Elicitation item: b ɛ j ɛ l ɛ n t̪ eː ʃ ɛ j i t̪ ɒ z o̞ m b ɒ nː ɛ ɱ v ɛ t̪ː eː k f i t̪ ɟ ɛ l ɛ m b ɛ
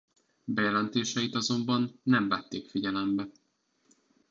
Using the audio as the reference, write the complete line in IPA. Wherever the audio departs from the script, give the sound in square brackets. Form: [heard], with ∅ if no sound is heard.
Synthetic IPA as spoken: b ɛ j ɛ l ɛ n t̪ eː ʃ ɛ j i t̪ ɒ z o̞ m b ɒ nː ɛ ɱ v ɛ t̪ː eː k f i [∅] ɟ ɛ l ɛ m b ɛ